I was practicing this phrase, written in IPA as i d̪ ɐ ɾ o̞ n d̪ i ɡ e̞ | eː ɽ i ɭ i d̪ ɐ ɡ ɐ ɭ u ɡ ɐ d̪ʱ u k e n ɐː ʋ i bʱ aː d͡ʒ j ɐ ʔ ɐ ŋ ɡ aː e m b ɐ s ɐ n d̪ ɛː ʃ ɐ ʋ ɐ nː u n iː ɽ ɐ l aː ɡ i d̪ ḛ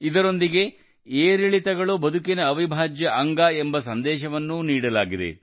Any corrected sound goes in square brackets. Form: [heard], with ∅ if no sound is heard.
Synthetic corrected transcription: i d̪ ɐ ɾ o̞ n d̪ i ɡ e̞ | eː [ɾ] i ɭ i [t̪] ɐ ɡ ɐ ɭ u [b] ɐ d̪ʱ u k [i] n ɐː ʋ i bʱ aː d͡ʒ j ɐ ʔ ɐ ŋ ɡ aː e m b ɐ s ɐ n d̪ ɛː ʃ ɐ ʋ ɐ nː u n iː ɽ ɐ l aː ɡ i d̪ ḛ